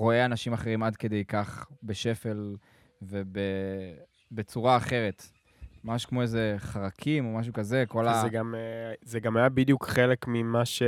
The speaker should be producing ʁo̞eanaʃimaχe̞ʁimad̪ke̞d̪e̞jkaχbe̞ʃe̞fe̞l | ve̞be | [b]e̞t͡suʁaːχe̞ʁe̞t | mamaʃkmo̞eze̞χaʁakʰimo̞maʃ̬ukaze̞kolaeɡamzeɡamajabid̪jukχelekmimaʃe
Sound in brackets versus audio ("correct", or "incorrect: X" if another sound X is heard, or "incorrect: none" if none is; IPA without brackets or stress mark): correct